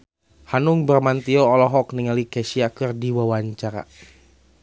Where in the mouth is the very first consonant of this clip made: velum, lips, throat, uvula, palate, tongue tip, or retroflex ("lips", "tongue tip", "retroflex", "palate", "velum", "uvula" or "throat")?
throat